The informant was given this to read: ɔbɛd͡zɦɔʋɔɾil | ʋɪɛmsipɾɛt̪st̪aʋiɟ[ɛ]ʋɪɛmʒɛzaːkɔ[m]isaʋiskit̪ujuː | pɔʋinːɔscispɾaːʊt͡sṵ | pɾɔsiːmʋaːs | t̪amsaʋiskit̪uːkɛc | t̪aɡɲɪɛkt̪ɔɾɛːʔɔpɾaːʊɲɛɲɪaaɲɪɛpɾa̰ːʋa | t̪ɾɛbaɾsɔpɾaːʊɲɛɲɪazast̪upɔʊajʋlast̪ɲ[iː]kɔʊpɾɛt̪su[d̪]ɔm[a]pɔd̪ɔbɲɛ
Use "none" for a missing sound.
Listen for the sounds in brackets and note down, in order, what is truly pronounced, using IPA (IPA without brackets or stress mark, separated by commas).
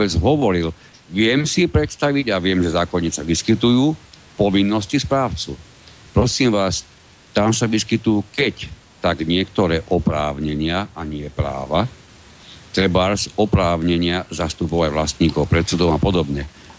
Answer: a, ɲ, iː, d̪, a